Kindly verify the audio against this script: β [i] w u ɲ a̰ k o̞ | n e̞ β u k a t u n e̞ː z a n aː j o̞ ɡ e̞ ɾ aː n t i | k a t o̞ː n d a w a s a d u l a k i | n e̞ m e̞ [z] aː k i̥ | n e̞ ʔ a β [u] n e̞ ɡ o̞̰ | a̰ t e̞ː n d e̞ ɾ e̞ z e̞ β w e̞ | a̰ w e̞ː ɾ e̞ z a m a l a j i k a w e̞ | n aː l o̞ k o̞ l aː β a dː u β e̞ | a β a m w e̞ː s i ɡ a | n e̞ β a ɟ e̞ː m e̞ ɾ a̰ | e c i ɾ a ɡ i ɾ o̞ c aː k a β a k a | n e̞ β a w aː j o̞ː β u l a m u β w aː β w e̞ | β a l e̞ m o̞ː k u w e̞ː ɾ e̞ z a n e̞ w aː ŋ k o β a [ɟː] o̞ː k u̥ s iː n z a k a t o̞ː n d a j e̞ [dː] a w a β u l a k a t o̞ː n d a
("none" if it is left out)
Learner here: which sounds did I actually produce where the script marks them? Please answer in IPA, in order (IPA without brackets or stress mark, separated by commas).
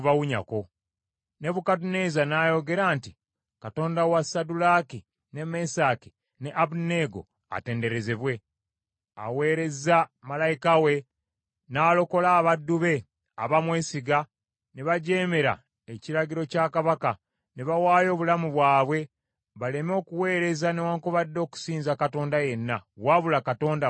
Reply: a, s, u, dː, nː